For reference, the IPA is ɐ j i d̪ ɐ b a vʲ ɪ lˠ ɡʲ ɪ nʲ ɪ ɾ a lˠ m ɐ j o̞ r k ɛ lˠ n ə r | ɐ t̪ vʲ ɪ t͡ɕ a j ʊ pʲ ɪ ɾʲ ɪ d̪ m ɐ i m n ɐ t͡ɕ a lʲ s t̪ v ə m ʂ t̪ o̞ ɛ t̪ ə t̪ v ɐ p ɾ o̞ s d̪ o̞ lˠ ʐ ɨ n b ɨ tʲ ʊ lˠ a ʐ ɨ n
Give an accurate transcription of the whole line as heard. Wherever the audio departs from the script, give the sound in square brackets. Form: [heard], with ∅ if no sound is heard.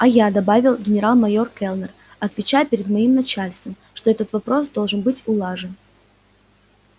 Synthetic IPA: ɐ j [a] d̪ ɐ b a vʲ ɪ lˠ ɡʲ ɪ nʲ ɪ ɾ a lˠ m ɐ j o̞ r k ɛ lˠ n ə r | ɐ t̪ vʲ ɪ t͡ɕ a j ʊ pʲ ɪ ɾʲ ɪ d̪ m ɐ i m n ɐ t͡ɕ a lʲ s t̪ v ə m ʂ t̪ o̞ ɛ t̪ ə t̪ v ɐ p ɾ o̞ s d̪ o̞ lˠ ʐ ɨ n b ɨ tʲ ʊ lˠ a ʐ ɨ n